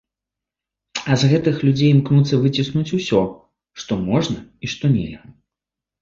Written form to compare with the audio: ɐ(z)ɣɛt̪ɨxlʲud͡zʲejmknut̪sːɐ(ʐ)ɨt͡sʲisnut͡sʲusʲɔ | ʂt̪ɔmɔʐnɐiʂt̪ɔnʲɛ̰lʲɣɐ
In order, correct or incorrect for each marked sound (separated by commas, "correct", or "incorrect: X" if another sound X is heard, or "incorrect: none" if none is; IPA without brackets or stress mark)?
correct, incorrect: v